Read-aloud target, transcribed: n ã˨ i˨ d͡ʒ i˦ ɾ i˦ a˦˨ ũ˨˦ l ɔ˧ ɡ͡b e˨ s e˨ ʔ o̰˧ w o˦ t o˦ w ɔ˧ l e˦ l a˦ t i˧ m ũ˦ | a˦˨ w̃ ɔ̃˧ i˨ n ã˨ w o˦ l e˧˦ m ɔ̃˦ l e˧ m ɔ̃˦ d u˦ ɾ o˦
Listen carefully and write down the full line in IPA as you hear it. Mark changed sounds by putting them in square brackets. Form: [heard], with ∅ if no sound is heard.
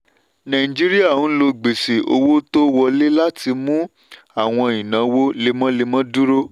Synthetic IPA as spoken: n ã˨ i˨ d͡ʒ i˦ ɾ i˦ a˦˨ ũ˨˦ l [o˧] ɡ͡b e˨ s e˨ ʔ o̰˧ w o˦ t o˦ w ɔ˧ l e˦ l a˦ t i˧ m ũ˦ | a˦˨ w̃ ɔ̃˧ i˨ n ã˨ w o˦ l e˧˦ m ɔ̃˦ l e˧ m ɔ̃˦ d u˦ ɾ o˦